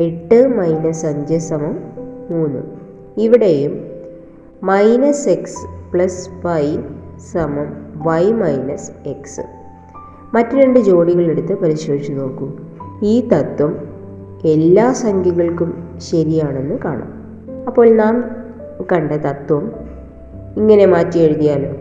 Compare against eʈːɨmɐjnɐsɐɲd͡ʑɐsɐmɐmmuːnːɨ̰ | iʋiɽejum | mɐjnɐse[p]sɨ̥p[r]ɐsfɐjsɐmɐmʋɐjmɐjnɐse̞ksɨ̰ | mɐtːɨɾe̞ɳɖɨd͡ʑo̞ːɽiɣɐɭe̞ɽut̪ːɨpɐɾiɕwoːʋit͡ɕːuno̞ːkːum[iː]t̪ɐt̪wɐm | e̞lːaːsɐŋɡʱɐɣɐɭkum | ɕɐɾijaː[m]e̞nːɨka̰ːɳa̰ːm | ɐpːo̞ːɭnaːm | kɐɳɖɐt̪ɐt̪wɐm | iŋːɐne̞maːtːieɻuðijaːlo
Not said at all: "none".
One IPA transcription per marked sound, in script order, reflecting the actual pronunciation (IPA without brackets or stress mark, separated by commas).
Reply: k, ɭ, iː, ɳ